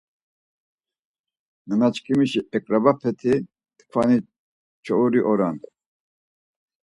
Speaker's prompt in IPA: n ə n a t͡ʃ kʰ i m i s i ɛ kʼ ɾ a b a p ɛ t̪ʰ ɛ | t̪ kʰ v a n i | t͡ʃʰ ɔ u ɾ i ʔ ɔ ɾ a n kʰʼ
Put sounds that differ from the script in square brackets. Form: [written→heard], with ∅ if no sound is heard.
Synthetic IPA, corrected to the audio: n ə n a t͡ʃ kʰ i m i [s→ʃ] i ɛ kʼ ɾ a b a [p→pʰ] ɛ t̪ʰ [ɛ→i] | t̪ kʰ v a n i | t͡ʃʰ ɔ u ɾ i ʔ ɔ ɾ a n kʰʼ